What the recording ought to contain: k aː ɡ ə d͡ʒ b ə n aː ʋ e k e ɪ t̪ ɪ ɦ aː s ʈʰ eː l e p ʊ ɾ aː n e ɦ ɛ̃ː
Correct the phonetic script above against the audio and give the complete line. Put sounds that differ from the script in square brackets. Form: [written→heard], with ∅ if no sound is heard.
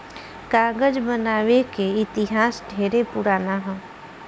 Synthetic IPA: k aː ɡ ə d͡ʒ b ə n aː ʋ e k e ɪ t̪ ɪ ɦ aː s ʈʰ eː [l→ɾ] e p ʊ ɾ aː n [e→a] ɦ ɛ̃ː